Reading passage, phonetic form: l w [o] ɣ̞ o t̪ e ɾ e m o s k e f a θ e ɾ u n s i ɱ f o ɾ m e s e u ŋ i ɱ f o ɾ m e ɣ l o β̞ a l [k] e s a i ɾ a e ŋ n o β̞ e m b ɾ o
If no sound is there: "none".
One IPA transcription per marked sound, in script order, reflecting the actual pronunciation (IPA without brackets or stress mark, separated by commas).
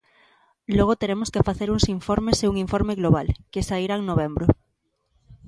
o, k